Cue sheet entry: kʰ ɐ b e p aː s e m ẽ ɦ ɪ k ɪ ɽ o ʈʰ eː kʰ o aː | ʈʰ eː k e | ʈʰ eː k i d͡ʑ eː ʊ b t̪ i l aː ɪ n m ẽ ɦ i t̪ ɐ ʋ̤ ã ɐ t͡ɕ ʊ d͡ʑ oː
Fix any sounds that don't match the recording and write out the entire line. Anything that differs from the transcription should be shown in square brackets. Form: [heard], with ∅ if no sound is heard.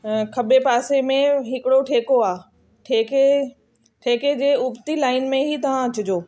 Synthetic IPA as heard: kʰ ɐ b e p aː s e m ẽ ɦ ɪ k ɪ ɽ o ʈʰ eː [k] o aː | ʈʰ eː k e | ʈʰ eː k [e] d͡ʑ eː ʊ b t̪ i l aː ɪ n m ẽ ɦ i t̪ ɐ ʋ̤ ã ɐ t͡ɕ ʊ d͡ʑ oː